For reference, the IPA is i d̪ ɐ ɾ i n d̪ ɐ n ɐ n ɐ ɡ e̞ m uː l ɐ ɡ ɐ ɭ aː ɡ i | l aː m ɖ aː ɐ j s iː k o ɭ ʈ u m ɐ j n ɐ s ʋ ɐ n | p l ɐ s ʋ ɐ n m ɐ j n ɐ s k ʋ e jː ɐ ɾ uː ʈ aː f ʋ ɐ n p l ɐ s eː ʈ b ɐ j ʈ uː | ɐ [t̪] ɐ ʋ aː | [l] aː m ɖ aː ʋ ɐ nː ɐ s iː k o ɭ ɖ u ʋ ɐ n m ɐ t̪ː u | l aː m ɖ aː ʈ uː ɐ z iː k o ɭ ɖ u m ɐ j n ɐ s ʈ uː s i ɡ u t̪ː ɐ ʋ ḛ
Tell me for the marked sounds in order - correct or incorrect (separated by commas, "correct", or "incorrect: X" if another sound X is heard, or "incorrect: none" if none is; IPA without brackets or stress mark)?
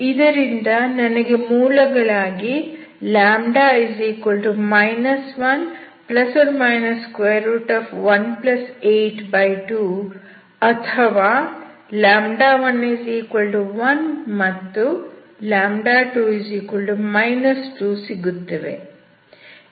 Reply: incorrect: t̪ʰ, correct